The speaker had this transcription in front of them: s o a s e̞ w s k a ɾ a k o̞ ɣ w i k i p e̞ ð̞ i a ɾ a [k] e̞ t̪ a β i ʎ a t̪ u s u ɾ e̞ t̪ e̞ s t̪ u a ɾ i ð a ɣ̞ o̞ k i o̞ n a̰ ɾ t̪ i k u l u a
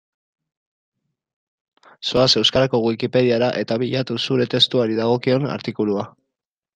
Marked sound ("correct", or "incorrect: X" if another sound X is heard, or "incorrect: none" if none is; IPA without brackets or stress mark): incorrect: ʔ